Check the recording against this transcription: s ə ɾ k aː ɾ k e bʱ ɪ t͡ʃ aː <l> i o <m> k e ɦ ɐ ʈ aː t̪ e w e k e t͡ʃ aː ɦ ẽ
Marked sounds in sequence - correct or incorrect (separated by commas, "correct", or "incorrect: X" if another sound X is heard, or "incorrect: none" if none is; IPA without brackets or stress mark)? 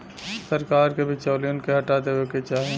correct, incorrect: n